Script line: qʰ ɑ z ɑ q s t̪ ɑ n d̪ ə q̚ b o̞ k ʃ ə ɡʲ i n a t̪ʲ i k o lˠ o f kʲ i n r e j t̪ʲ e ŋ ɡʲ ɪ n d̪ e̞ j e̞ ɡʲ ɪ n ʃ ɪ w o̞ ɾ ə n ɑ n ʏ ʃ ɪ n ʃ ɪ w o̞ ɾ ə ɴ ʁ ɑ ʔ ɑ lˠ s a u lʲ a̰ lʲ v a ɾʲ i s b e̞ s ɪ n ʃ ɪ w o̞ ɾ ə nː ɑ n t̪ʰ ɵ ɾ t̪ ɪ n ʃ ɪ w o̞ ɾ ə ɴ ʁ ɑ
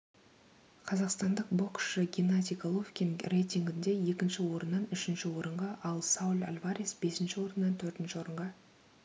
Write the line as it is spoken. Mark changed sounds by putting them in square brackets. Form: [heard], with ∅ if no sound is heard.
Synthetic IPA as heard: qʰ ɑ z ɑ q s t̪ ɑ n d̪ ə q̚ b o̞ k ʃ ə ɡʲ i n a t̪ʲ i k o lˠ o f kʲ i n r e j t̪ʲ [i] ŋ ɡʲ ɪ n d̪ e̞ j e̞ [kʲ] ɪ n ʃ ɪ w o̞ ɾ ə [nː] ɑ n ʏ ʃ ɪ n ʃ ɪ w o̞ ɾ ə ɴ ʁ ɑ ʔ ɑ lˠ s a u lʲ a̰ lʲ v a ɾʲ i s b e̞ s ɪ n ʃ ɪ w o̞ ɾ ə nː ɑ n t̪ʰ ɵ ɾ t̪ ɪ n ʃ ɪ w o̞ ɾ ə ɴ ʁ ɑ